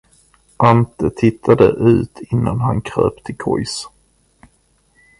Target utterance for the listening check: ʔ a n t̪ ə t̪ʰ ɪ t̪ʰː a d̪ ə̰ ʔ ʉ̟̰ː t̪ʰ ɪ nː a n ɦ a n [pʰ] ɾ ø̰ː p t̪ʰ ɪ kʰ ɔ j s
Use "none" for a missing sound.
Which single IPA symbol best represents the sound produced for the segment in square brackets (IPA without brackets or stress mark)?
kʰ